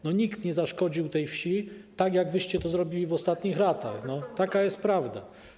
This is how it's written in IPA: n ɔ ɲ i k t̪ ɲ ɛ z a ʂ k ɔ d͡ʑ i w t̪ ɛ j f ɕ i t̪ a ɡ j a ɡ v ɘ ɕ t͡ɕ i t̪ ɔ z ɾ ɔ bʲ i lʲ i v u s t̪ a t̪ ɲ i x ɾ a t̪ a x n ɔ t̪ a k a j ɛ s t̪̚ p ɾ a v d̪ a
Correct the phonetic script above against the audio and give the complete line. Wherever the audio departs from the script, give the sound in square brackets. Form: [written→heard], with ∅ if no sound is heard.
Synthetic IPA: n ɔ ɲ i k t̪ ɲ ɛ z a ʂ k ɔ d͡ʑ i w t̪ ɛ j f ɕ i t̪ a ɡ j a ɡ v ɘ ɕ t͡ɕ [i→ɛ] t̪ ɔ z ɾ ɔ bʲ i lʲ i v [u→ɔ] s t̪ a t̪ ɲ i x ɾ a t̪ a x n ɔ t̪ a k a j ɛ s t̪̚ p ɾ a v d̪ a